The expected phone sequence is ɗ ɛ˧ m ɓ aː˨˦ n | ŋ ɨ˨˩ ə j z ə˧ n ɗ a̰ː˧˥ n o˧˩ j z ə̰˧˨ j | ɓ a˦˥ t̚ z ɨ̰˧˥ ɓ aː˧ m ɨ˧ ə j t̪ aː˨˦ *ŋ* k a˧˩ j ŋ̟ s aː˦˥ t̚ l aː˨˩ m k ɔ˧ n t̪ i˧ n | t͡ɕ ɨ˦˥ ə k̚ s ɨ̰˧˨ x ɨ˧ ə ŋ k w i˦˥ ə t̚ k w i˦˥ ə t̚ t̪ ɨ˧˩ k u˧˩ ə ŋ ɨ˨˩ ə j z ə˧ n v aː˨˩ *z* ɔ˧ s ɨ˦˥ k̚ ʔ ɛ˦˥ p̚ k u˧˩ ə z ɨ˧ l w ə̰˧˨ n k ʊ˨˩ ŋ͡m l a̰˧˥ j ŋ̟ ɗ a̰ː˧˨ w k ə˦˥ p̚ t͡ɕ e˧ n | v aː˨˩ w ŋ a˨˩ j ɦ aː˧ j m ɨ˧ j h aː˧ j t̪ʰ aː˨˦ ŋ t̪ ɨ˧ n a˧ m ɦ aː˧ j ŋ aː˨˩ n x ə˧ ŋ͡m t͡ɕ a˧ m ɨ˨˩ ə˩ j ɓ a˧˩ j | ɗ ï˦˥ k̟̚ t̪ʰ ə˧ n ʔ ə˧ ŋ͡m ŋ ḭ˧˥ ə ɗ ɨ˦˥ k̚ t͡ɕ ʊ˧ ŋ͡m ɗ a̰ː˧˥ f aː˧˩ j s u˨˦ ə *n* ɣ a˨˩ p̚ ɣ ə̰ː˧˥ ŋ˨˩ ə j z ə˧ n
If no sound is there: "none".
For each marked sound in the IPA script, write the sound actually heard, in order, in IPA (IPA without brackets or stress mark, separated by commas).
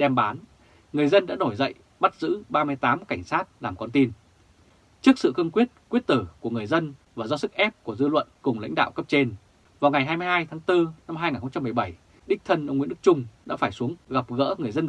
m, z, ŋ